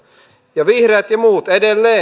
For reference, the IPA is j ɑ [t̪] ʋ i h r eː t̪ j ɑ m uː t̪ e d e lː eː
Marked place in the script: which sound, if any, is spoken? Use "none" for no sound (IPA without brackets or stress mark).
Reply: none